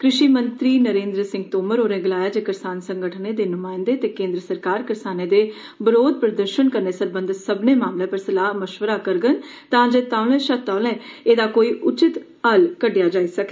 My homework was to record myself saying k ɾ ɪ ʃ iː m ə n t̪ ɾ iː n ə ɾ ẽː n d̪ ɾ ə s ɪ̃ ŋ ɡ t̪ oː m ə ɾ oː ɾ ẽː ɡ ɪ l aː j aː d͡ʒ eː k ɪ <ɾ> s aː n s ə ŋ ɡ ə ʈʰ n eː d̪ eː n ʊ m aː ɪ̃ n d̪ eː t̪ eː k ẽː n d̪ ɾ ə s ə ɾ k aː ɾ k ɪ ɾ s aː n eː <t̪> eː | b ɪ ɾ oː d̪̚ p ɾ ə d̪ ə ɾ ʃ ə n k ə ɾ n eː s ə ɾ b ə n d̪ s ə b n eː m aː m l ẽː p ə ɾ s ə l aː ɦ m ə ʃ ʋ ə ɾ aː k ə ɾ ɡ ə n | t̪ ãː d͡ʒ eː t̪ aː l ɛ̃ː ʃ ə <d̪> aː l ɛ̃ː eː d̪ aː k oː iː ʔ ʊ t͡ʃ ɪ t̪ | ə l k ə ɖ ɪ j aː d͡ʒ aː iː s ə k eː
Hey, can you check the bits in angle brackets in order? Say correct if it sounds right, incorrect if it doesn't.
correct, incorrect, incorrect

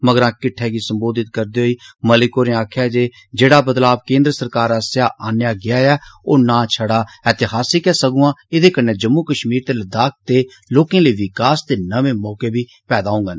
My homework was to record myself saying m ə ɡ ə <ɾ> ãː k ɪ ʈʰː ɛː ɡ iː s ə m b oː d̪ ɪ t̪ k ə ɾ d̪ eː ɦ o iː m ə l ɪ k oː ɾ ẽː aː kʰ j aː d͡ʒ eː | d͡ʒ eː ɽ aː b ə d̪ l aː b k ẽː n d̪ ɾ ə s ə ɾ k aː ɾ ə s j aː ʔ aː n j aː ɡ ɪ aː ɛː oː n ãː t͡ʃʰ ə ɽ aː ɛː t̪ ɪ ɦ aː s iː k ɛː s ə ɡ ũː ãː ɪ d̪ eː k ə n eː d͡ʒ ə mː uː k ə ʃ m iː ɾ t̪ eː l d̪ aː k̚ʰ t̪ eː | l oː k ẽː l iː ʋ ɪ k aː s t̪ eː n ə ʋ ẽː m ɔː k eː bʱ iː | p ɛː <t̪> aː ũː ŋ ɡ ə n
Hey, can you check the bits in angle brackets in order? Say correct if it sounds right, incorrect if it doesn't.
correct, incorrect

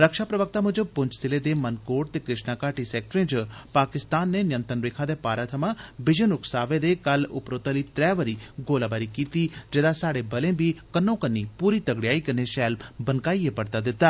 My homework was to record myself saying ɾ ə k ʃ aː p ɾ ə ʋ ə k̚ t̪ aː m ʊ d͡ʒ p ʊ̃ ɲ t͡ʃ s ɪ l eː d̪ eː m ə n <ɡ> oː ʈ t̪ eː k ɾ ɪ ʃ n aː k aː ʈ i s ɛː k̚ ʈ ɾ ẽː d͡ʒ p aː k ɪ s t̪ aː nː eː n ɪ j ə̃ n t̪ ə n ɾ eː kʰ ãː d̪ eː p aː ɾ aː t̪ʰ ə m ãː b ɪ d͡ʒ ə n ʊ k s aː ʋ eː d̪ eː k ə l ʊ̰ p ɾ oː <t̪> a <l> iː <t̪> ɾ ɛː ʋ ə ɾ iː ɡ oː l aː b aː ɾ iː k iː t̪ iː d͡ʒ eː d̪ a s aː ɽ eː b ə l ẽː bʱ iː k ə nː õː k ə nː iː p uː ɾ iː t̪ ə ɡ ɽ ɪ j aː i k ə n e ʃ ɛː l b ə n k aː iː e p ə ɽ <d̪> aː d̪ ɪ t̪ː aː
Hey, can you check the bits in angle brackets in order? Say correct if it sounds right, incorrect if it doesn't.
incorrect, correct, correct, correct, incorrect

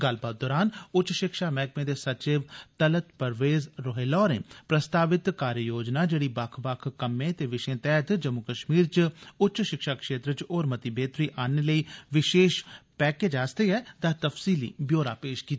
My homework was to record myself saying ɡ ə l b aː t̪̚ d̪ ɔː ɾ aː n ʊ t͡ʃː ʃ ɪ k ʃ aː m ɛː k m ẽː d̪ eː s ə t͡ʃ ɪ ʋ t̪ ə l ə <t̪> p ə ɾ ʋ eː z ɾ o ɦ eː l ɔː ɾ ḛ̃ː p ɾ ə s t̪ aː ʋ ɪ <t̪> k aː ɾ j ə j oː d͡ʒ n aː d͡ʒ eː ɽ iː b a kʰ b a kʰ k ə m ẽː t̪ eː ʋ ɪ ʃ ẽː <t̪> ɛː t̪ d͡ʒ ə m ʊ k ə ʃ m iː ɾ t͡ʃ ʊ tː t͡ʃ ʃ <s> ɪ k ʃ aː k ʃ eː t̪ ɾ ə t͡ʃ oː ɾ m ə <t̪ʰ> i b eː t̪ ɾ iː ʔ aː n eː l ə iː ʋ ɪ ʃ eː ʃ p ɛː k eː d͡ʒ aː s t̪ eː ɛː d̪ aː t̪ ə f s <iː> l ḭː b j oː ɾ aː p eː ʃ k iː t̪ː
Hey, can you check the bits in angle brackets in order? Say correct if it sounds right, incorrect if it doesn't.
correct, correct, correct, incorrect, incorrect, correct

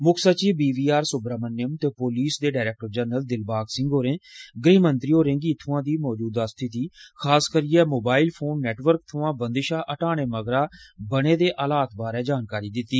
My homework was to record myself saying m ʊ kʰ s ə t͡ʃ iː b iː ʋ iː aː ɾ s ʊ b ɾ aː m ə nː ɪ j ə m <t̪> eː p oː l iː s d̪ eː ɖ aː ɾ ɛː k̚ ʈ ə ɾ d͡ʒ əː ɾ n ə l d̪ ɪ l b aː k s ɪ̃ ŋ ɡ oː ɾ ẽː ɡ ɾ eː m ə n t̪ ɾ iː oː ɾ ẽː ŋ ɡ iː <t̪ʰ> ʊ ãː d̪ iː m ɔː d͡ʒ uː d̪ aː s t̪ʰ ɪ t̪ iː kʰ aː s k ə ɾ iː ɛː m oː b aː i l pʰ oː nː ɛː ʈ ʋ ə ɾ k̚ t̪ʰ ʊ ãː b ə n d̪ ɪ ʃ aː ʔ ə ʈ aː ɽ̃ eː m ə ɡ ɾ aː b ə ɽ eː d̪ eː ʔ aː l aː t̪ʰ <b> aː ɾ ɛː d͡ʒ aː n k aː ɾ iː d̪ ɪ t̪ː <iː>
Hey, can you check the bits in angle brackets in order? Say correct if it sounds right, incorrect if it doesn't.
correct, correct, correct, correct

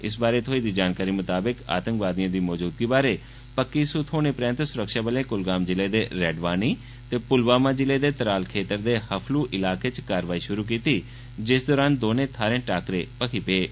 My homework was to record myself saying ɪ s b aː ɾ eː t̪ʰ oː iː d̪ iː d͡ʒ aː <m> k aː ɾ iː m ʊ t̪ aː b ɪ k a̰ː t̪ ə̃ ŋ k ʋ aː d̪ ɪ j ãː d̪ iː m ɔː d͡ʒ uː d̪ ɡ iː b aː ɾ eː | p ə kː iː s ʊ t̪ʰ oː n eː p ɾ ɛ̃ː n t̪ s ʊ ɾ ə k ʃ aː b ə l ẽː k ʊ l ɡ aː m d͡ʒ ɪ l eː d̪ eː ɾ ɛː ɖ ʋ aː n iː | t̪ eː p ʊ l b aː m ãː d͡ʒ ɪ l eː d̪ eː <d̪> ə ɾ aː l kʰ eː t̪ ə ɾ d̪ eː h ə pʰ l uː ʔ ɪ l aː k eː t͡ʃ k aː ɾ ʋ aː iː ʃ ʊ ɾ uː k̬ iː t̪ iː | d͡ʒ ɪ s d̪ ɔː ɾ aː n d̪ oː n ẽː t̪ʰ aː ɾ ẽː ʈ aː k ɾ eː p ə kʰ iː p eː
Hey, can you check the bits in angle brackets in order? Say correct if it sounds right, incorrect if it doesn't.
incorrect, incorrect

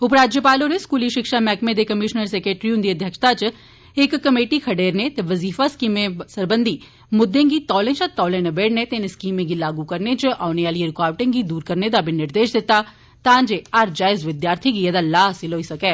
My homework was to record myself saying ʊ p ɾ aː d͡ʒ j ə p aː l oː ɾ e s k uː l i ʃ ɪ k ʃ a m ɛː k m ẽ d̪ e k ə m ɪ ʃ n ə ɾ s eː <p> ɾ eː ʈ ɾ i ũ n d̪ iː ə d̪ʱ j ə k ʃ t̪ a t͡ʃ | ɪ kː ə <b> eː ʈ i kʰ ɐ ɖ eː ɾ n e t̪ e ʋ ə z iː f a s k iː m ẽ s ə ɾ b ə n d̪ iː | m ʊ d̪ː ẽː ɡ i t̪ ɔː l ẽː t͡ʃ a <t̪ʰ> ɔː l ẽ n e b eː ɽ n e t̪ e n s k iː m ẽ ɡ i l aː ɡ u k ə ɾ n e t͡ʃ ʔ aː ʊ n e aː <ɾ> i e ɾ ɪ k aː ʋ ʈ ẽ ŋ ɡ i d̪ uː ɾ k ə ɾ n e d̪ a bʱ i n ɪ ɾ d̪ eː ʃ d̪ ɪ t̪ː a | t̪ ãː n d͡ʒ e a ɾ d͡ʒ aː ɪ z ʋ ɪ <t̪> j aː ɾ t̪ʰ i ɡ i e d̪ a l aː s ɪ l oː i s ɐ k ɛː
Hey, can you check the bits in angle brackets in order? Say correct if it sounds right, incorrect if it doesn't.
incorrect, incorrect, incorrect, incorrect, incorrect

